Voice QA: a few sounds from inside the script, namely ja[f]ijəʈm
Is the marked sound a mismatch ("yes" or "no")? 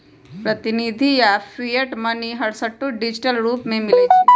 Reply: no